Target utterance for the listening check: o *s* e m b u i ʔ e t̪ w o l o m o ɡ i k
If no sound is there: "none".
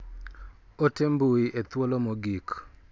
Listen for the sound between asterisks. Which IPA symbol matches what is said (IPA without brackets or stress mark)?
t